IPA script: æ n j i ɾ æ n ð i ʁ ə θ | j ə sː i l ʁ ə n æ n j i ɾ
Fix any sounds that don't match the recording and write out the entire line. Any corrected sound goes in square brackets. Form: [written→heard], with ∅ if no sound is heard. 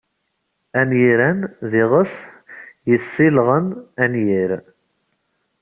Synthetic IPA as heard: æ n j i ɾ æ n ð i ʁ ə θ | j ə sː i l ʁ ə n æ n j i ɾ